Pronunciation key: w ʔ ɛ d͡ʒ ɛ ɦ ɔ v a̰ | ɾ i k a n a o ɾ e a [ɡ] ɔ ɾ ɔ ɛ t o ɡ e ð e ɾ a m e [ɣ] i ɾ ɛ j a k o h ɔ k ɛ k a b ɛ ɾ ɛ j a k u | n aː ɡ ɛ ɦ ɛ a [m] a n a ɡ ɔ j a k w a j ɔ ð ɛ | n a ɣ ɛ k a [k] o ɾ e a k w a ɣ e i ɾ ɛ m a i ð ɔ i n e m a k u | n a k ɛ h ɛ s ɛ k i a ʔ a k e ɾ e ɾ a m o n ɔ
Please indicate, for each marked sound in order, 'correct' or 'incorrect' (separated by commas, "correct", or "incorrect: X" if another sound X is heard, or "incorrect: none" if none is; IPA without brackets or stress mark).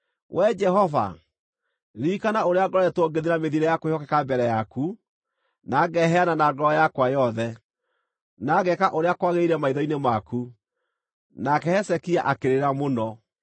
correct, incorrect: ð, incorrect: n, incorrect: ʔ